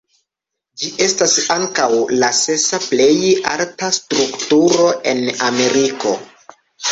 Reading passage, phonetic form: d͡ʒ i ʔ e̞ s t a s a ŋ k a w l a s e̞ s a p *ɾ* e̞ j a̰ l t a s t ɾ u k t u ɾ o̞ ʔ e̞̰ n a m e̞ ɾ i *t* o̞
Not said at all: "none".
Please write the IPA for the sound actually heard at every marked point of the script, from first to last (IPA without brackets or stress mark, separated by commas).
l, k